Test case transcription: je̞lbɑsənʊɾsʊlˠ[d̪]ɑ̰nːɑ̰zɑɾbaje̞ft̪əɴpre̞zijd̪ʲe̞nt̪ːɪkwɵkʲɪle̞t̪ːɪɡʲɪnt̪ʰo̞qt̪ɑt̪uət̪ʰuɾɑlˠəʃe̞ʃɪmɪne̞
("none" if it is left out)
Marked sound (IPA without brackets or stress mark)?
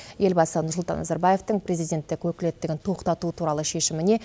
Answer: t̪